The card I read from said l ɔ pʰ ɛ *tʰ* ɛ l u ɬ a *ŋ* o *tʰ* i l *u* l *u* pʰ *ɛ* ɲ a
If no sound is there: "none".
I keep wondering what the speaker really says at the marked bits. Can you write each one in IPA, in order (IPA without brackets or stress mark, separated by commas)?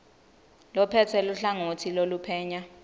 tʰ, ŋ, tʰ, o, u, ɛː